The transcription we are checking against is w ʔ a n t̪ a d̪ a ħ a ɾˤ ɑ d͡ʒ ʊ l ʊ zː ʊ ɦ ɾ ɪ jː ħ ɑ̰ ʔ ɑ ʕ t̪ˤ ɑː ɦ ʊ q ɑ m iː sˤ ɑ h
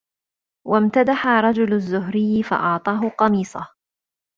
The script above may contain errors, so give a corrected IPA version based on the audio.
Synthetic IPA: w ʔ a m t̪ a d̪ a ħ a ɾˤ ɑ d͡ʒ ʊ l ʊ zː ʊ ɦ ɾ ɪ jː f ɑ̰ ʔ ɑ ʕ t̪ˤ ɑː ɦ ʊ q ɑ m iː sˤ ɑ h